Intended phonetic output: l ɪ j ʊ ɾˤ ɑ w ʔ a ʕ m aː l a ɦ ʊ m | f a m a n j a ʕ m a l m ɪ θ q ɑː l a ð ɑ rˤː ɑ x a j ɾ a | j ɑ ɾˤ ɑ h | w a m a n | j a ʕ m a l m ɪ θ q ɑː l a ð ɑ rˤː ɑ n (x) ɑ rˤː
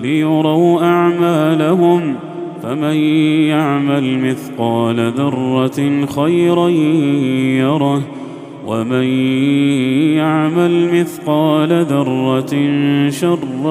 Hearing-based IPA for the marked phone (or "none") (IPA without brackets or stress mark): ʃ